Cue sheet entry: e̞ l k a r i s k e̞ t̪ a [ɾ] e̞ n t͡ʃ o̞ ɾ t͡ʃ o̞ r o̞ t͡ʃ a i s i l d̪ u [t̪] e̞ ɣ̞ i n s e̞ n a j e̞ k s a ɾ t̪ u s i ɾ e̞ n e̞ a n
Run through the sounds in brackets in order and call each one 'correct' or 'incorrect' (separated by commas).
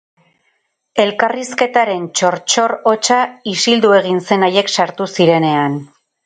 correct, incorrect